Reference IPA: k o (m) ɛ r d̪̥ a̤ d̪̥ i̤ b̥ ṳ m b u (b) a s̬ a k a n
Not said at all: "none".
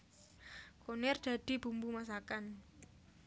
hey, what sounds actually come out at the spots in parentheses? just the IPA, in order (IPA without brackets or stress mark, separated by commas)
n, m